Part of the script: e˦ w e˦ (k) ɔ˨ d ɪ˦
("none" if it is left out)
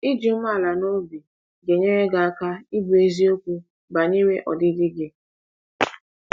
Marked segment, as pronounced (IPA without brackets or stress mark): ʔ